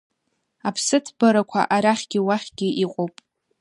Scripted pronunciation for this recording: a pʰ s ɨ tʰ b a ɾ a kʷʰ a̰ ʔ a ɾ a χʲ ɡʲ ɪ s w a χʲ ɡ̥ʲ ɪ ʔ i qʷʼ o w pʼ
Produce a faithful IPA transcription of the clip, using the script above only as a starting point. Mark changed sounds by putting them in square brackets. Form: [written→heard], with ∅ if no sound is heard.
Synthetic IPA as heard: a pʰ s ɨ tʰ b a ɾ a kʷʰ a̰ ʔ a ɾ a χʲ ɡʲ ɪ [s→∅] w a χʲ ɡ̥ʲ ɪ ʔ i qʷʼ o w pʼ